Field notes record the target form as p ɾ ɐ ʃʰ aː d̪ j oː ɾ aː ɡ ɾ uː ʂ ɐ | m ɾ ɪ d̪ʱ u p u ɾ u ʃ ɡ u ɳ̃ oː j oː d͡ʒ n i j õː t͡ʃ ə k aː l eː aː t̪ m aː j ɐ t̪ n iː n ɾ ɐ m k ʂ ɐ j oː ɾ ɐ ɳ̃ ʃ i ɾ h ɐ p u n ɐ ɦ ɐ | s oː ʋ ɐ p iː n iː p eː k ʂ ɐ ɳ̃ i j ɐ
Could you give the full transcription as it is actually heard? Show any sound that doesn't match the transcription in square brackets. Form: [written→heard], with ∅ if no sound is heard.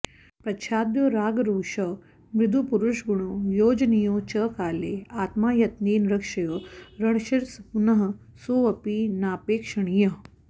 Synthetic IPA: p ɾ ɐ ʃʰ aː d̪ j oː ɾ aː ɡ ɾ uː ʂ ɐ | m ɾ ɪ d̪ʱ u p u ɾ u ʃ ɡ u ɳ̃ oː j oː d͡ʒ n i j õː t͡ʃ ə k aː l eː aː t̪ m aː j ɐ t̪ n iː n ɾ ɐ [m→∅] k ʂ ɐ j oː ɾ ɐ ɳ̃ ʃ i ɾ [h→s] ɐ p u n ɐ ɦ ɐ | s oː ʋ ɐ p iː n [iː→aː] p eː k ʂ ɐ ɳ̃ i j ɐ